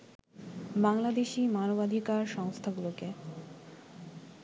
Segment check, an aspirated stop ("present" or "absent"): present